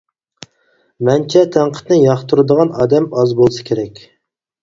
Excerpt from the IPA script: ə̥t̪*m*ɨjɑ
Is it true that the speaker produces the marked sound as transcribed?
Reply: no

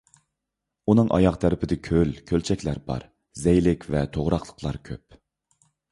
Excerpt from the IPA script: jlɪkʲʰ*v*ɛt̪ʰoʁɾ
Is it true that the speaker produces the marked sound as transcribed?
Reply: yes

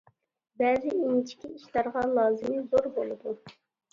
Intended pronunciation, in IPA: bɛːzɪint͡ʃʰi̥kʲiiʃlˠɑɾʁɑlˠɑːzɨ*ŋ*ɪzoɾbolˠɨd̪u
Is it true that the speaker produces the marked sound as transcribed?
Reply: no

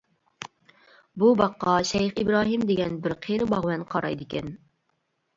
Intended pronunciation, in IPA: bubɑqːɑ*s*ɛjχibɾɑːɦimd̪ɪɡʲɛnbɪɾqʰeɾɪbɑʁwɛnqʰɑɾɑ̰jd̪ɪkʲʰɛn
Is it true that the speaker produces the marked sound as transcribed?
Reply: no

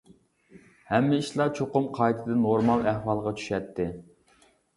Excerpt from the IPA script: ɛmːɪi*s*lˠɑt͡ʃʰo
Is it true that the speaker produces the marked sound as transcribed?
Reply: no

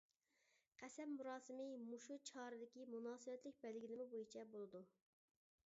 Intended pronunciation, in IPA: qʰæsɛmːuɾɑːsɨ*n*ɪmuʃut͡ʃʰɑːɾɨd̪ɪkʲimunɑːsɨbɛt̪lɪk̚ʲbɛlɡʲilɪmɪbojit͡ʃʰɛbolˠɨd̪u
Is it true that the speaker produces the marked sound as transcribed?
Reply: no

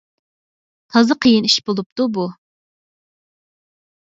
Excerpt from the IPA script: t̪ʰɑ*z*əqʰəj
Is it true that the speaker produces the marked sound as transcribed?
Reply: yes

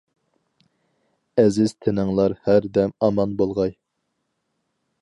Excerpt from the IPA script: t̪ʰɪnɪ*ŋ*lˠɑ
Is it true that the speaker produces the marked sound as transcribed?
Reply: yes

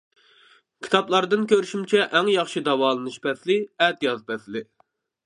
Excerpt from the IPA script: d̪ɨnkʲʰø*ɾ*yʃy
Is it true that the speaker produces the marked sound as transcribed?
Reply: yes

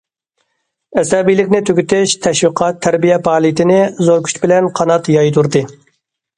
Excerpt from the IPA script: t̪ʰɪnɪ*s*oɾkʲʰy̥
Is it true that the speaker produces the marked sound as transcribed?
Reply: no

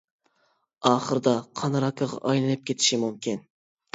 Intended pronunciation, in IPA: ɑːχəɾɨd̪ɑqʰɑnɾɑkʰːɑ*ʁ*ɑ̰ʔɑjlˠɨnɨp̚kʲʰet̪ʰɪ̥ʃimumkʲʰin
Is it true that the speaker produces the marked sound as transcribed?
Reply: yes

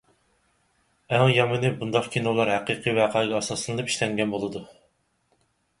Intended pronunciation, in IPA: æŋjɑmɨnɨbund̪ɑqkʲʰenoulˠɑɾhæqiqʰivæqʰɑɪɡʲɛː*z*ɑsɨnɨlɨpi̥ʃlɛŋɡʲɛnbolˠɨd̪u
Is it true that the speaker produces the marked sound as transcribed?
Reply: no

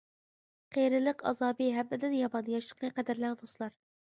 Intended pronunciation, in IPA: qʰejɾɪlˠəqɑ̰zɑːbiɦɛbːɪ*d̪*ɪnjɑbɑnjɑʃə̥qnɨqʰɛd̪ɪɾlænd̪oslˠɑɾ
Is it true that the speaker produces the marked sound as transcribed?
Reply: yes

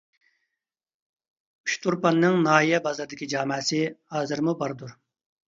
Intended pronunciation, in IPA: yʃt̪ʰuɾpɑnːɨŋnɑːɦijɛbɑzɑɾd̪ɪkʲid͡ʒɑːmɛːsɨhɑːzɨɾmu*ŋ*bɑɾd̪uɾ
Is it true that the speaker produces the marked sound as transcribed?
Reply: no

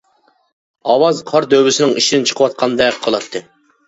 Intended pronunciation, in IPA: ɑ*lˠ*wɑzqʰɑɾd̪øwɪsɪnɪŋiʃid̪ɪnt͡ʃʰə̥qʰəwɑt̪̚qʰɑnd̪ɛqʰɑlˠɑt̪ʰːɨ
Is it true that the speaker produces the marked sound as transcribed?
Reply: no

